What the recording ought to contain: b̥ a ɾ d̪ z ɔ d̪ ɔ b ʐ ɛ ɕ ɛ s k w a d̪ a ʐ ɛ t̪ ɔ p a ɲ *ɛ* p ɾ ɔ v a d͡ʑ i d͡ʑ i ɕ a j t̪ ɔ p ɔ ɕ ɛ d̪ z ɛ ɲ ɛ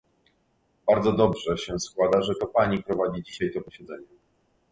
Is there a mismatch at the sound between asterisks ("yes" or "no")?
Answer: yes